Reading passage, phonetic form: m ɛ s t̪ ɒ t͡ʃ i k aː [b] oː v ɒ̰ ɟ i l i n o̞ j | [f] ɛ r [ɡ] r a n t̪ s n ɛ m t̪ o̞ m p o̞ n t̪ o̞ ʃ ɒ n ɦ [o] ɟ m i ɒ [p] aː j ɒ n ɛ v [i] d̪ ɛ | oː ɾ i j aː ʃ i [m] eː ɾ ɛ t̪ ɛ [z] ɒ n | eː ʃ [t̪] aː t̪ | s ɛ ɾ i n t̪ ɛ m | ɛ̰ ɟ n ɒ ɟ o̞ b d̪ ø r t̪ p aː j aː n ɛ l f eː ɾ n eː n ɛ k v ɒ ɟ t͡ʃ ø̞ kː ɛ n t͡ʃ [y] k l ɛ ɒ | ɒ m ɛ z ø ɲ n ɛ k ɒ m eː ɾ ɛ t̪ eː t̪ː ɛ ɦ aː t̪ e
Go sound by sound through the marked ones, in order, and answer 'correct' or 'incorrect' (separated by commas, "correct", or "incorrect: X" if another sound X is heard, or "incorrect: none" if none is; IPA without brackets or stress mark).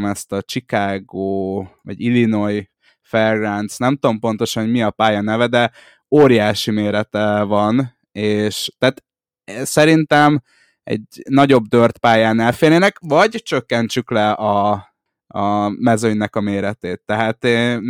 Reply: incorrect: ɡ, correct, correct, correct, correct, incorrect: ɛ, correct, incorrect: v, correct, correct